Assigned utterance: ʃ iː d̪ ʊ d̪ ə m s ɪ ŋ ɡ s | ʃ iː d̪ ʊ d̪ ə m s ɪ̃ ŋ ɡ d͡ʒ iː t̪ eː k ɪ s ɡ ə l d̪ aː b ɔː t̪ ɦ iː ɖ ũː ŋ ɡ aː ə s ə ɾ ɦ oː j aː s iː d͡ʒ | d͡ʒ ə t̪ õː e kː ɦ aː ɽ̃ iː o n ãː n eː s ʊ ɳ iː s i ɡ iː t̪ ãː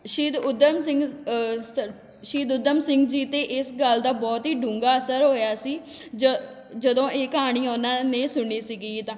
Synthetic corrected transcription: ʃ iː d̪ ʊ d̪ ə m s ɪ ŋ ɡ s | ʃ iː d̪ ʊ d̪ ə m s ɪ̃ ŋ ɡ d͡ʒ iː t̪ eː ʔ ɪ s ɡ ə l d̪ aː b ɔː t̪ ɦ iː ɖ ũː ŋ ɡ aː ə s ə ɾ ɦ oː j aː s iː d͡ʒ | d͡ʒ ə d̪ õː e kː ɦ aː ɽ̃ iː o n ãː n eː s ʊ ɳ iː s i ɡ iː t̪ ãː